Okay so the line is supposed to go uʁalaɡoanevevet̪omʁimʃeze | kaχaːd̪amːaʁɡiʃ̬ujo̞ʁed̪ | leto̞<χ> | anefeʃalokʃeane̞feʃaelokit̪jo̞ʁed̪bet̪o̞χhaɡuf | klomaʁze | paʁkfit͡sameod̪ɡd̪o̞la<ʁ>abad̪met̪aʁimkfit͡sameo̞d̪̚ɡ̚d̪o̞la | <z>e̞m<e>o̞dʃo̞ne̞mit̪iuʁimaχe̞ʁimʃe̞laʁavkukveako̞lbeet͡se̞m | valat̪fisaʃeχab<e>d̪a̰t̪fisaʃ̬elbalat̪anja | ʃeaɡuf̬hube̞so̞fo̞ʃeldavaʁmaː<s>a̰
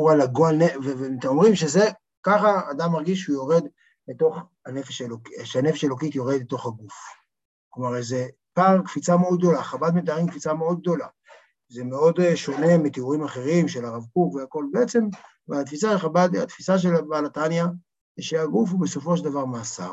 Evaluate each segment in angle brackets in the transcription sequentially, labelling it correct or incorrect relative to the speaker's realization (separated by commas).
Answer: correct, incorrect, correct, correct, incorrect, correct